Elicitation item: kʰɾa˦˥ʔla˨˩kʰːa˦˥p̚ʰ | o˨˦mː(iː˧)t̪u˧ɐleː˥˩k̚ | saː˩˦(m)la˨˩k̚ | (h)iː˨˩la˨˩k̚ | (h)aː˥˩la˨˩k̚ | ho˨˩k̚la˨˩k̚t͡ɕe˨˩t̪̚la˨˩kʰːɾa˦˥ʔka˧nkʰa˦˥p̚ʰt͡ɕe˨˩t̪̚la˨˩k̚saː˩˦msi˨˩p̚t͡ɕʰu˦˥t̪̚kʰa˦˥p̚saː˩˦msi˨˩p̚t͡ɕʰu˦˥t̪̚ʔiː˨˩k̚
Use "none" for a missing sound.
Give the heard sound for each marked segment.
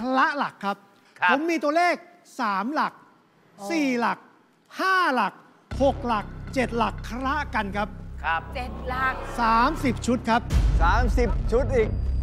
iː˧, m, s, h

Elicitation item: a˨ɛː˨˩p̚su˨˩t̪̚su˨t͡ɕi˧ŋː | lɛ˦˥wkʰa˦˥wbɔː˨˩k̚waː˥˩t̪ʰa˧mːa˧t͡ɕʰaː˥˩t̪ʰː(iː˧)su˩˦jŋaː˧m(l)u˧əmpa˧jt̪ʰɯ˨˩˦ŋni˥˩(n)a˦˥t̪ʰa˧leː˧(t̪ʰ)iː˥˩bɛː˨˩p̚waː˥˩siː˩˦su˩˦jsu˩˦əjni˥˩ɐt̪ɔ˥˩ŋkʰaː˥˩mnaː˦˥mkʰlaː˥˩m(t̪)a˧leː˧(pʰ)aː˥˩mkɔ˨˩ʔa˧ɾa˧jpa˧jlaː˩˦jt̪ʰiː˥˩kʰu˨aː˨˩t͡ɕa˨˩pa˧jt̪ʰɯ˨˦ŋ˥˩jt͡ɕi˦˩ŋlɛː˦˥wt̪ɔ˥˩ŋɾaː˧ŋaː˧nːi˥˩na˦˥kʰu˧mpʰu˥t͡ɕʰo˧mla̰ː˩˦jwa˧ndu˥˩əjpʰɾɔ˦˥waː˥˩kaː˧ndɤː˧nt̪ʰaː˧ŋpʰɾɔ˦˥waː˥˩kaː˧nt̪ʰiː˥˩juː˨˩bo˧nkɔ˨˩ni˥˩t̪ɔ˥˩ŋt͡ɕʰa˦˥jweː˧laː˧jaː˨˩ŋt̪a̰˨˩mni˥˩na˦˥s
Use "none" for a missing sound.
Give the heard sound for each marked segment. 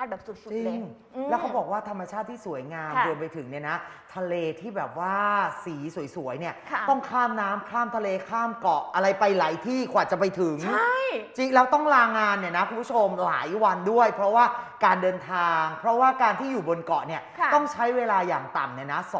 iː˥˩, ɾ, n, t̪ʰ, t̪ʰ, kʰ

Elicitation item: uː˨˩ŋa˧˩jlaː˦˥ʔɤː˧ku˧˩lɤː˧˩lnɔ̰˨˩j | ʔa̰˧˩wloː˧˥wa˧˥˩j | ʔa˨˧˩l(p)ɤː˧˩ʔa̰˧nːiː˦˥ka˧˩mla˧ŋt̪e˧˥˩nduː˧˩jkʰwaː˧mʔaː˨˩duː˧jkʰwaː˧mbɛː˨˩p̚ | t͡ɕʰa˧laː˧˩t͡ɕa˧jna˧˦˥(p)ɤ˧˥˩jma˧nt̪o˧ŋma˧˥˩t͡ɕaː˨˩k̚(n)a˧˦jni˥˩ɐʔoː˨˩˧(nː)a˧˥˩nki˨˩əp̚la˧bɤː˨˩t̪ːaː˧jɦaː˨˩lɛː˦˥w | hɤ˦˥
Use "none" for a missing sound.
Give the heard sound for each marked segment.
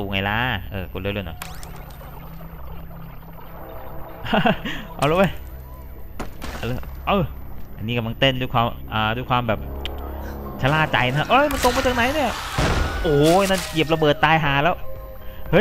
ʔ, ʔ, n, n

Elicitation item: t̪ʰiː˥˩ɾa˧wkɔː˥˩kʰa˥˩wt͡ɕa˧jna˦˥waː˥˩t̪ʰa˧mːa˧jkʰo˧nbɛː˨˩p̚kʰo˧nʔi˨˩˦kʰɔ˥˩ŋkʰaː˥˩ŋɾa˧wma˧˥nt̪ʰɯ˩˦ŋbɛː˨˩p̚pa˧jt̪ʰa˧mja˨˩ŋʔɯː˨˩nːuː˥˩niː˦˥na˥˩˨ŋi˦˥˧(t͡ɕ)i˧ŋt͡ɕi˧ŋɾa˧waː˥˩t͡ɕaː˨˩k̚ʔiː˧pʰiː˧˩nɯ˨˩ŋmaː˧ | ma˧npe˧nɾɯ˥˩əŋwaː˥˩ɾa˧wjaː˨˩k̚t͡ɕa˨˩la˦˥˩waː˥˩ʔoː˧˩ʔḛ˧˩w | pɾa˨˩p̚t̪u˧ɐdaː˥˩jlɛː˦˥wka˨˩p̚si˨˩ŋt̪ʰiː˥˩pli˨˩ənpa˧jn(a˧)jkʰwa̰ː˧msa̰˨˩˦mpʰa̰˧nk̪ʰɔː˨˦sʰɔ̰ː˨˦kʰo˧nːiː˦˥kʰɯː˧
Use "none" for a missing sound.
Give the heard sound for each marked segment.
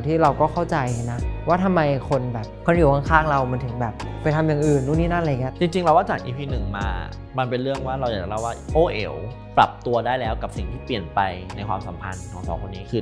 t͡ɕ, a˧

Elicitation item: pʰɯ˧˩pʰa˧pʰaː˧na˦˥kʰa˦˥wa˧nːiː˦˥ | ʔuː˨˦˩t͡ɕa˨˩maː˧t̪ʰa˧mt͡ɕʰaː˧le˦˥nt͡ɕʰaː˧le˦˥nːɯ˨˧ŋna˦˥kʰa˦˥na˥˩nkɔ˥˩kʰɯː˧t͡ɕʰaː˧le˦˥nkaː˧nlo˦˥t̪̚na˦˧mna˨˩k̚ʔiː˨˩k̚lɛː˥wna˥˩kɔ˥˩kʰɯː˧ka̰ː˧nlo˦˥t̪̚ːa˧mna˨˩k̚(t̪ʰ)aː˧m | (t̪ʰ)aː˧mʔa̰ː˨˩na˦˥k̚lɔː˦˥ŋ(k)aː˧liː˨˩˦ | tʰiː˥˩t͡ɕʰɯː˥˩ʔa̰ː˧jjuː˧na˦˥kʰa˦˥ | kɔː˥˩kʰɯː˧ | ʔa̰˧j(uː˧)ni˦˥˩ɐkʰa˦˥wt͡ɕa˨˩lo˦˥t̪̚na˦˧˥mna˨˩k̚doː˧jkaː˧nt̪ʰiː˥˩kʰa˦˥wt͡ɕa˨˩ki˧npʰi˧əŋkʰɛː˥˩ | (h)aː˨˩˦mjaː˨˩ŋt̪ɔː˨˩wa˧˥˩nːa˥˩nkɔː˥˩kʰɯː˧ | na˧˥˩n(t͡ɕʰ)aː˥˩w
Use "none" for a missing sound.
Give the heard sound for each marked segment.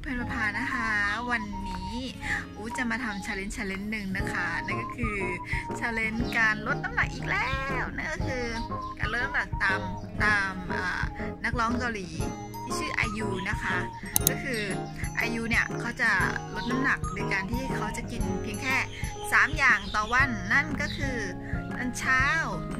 t̪, t̪, k, uː˧, s, t͡ɕʰ

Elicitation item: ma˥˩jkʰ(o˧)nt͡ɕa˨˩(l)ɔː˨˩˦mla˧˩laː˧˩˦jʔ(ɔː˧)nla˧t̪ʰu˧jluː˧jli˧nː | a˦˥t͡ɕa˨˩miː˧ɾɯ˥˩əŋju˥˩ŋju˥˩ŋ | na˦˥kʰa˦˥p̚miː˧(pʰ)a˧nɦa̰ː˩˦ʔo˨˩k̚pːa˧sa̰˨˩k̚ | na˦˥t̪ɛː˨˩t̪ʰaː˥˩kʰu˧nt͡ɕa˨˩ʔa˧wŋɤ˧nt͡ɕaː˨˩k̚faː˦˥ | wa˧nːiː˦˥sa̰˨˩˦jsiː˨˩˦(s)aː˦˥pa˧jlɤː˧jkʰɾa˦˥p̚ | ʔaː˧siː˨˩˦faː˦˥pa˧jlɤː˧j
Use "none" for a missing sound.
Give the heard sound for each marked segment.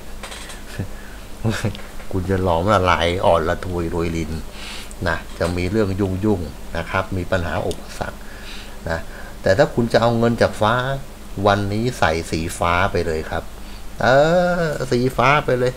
u˧, l, ɔː˨˩, p, f

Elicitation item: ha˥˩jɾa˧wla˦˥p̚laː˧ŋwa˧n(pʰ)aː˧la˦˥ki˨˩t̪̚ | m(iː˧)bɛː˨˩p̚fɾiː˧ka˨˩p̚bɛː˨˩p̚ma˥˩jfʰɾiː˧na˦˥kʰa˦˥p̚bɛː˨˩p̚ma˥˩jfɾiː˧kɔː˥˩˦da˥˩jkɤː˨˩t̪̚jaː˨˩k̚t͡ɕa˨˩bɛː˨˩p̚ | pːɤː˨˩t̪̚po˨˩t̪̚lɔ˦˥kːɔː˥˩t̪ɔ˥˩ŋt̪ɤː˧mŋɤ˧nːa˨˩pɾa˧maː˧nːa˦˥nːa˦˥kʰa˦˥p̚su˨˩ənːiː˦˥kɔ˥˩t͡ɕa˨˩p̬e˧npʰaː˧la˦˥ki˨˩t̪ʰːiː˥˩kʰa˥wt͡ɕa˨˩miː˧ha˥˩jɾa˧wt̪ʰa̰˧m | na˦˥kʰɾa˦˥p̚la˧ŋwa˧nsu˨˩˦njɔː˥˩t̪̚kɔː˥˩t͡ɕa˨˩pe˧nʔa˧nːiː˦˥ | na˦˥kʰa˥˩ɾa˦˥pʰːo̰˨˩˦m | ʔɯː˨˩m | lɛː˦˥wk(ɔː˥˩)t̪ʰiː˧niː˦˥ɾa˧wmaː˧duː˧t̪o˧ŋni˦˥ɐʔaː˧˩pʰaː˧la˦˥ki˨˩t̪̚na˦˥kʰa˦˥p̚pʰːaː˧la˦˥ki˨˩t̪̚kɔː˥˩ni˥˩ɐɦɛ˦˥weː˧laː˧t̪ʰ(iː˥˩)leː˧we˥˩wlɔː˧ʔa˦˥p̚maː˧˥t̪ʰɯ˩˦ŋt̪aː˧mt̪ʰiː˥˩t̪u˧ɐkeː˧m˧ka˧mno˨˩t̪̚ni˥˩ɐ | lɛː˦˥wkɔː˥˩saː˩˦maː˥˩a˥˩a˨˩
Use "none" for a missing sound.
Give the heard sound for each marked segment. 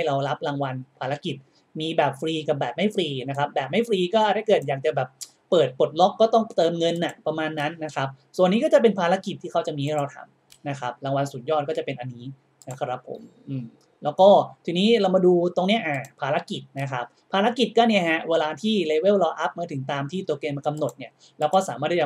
pʰ, iː˧, ɔː˥˩, iː˥˩

